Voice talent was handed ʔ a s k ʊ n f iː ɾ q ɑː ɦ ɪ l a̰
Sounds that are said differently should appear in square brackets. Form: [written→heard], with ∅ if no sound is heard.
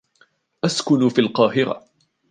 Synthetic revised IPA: ʔ a s k ʊ n f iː [ɾ→l] q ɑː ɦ ɪ [l→ɾ] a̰